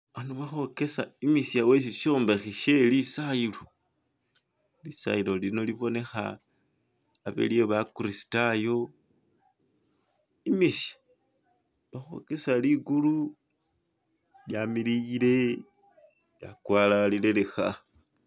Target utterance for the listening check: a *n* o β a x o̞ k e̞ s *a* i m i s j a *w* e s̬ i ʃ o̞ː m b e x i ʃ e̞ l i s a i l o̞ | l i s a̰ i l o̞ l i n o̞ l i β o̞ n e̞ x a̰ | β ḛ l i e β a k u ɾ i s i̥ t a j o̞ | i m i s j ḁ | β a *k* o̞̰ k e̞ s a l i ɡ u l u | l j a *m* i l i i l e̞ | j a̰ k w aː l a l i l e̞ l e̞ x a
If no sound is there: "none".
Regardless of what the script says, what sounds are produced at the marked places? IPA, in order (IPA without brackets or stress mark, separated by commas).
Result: n, a, w, x, m